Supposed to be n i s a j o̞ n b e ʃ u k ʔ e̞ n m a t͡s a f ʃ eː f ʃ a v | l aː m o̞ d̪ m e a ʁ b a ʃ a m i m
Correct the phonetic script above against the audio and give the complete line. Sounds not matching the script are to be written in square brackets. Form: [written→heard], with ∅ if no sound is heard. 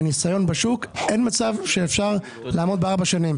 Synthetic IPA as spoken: n i s a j o̞ n b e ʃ u k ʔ e̞ n m a t͡s a [f→v] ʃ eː f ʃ a [v→ʁ] | l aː m o̞ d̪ [m→b] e a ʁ b a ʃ a [m→n] i m